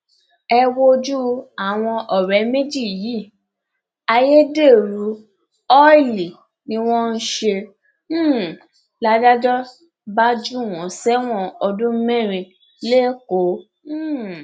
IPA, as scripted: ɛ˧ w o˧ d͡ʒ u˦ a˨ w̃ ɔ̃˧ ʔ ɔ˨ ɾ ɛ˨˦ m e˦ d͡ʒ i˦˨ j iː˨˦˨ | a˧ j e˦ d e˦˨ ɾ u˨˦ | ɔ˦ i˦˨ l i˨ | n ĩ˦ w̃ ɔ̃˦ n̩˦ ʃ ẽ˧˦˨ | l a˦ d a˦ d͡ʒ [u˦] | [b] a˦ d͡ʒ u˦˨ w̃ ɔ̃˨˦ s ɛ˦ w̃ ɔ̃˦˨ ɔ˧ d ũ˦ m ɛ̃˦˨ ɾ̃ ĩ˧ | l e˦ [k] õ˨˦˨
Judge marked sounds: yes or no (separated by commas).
no, yes, yes